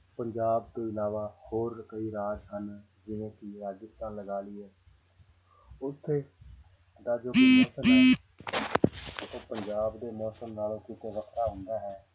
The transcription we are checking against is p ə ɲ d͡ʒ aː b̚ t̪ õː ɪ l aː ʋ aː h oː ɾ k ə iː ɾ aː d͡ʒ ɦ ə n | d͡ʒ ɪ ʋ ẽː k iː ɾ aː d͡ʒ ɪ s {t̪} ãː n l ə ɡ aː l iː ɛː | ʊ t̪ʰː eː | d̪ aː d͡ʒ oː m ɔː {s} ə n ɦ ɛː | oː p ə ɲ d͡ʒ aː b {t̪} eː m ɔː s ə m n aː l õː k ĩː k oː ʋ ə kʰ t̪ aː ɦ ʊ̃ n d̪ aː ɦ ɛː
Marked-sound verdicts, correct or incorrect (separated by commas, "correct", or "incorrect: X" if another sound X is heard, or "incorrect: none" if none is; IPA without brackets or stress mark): correct, correct, incorrect: d̪